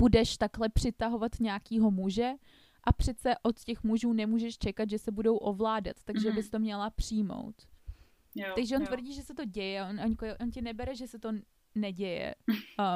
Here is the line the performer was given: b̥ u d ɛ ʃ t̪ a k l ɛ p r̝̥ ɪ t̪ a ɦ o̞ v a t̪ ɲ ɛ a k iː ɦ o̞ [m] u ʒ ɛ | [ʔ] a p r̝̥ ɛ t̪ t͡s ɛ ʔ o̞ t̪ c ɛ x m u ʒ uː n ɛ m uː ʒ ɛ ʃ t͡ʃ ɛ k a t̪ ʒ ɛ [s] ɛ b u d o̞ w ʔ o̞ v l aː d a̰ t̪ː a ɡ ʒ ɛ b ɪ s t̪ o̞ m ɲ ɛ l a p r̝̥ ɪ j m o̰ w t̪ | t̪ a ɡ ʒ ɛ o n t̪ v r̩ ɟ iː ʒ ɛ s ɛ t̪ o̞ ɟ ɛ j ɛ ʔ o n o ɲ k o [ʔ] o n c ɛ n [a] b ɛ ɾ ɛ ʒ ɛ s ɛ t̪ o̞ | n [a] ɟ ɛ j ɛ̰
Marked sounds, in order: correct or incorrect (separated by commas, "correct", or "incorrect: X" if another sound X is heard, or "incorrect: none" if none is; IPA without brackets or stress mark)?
correct, correct, correct, correct, incorrect: ɛ, incorrect: ɛ